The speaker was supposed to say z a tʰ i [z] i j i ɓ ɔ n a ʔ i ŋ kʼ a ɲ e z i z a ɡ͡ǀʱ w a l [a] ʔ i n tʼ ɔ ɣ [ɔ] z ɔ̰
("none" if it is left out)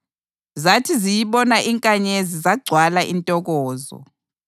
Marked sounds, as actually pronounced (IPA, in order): z, a, ɔː

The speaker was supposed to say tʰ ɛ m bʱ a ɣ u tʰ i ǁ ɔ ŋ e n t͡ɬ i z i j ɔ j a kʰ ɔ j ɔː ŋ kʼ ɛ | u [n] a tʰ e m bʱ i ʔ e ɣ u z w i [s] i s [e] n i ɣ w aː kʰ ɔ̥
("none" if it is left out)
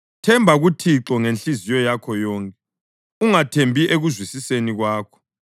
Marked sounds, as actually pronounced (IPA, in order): ŋ, s, e

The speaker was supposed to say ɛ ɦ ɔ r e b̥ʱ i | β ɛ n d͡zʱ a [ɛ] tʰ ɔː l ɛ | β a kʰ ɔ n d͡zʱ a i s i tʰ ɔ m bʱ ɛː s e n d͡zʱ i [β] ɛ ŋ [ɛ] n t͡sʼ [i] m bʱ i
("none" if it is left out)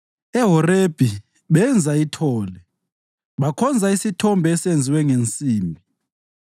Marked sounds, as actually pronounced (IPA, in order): i, w, e, iː

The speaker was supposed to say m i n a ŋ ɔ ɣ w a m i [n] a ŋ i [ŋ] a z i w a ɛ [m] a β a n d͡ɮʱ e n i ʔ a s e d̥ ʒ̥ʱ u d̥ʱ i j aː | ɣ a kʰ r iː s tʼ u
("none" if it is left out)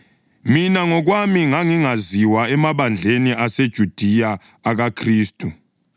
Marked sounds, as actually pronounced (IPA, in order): ŋ, ŋ, m

